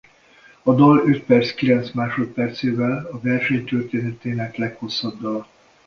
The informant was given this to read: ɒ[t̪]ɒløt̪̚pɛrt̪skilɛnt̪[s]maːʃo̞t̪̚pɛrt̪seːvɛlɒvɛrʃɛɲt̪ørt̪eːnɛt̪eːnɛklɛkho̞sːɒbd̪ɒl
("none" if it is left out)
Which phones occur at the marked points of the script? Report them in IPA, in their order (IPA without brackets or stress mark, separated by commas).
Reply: d̪, s